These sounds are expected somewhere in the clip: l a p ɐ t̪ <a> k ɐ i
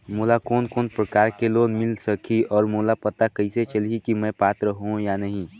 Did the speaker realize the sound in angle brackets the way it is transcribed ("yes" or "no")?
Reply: yes